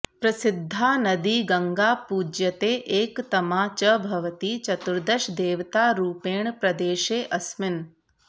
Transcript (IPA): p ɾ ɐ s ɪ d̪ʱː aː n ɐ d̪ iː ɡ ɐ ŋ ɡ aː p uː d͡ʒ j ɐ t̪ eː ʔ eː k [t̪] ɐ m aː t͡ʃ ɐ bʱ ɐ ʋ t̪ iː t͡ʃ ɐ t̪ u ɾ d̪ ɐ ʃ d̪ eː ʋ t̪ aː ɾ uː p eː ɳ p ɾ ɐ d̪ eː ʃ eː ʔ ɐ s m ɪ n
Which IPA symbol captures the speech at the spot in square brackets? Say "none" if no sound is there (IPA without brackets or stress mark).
t̪